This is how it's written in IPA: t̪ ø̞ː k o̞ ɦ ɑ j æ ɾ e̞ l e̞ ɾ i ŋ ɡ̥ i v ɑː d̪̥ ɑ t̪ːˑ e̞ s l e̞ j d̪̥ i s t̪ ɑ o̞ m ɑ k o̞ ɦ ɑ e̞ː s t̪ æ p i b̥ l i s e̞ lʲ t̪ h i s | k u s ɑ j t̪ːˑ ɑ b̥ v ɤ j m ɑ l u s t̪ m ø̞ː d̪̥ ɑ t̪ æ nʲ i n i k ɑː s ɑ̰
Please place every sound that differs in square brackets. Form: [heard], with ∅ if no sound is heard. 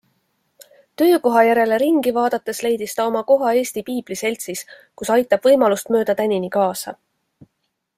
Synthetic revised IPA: t̪ ø̞ː k o̞ ɦ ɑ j æ ɾ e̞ l e̞ ɾ i ŋ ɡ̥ i v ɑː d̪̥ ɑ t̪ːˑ e̞ s l e̞ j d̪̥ i s t̪ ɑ o̞ m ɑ k o̞ ɦ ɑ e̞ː s t̪ [i] p [iː] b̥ l i s e̞ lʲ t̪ [s] i s | k u s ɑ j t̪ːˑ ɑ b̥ v ɤ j m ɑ l u s t̪ m ø̞ː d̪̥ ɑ t̪ æ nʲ i n i k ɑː s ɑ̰

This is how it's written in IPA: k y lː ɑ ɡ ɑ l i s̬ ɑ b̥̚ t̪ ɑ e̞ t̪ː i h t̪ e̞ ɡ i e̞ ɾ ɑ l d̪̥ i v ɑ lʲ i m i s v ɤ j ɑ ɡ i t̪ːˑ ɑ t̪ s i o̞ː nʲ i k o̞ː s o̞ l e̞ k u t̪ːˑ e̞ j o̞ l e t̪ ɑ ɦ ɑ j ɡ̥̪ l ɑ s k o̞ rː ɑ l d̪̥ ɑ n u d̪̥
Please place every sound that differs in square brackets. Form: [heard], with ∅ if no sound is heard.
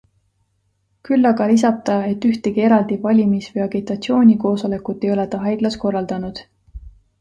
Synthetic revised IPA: k y lː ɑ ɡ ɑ l i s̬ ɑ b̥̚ t̪ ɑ e̞ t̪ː [y] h t̪ e̞ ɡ i e̞ ɾ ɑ l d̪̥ i v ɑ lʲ i m i s v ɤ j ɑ ɡ i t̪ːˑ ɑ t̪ s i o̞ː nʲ i k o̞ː s o̞ l e̞ k u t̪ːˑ e̞ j o̞ l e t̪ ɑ ɦ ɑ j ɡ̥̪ l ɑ s k o̞ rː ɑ l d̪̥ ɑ n u d̪̥

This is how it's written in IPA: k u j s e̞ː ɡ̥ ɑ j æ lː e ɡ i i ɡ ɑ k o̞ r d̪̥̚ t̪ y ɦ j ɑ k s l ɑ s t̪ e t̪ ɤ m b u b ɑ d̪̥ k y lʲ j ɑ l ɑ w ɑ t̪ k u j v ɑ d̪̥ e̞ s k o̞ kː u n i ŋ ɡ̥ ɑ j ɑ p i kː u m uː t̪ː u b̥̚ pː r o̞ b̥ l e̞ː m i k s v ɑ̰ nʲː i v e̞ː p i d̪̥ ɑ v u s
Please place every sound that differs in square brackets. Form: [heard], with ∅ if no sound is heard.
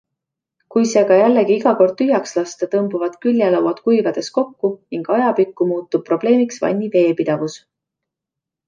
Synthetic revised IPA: k u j s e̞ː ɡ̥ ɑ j æ lː e ɡ i i ɡ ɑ k o̞ r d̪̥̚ t̪ y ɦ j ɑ k s l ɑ s t̪ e t̪ ɤ m b u [v] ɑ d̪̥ k y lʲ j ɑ l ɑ w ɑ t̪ k u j v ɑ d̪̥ e̞ s k o̞ kː u n i ŋ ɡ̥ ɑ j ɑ p i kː u m uː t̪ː u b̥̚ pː r o̞ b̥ l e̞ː m i k s v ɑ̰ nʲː i v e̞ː p i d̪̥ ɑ v u s

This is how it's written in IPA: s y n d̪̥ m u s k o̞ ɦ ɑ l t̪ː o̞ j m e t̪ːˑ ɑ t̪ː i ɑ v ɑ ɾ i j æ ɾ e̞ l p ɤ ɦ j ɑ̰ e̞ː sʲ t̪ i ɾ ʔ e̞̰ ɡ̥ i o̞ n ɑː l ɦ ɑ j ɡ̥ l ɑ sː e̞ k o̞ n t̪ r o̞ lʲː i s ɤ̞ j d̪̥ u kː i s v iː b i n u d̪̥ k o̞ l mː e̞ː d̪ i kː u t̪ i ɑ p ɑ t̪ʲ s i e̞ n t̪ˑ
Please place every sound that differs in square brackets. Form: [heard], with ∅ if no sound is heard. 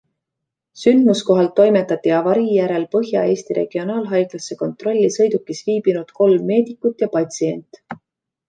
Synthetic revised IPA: s y n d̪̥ m u s k o̞ ɦ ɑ l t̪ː o̞ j m e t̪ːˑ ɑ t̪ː i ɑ v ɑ ɾ i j æ ɾ e̞ l p ɤ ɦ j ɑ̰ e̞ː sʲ t̪ i ɾ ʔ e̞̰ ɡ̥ i o̞ n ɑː l ɦ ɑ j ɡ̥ l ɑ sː e̞ k o̞ n t̪ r o̞ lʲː i s ɤ̞ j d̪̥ u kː i s v iː b i n u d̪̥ k o̞ l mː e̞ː d̪ i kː u t̪ [j] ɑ p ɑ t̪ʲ s i e̞ n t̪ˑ

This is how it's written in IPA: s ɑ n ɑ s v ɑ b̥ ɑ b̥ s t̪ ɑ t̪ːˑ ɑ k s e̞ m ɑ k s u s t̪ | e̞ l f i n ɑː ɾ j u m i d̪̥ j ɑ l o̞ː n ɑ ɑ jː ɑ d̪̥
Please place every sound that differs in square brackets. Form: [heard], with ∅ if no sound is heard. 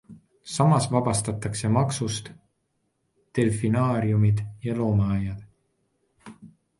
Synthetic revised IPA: s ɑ [m] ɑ s v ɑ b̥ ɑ [∅] s t̪ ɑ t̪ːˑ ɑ k s e̞ m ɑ k s u s t̪ | e̞ l f i n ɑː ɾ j u m i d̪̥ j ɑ l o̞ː [m] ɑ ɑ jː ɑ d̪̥

